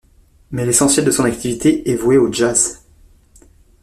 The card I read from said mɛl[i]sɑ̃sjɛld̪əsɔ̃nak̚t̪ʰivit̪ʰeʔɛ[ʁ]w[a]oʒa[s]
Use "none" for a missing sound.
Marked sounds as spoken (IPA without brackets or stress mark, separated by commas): e, v, e, z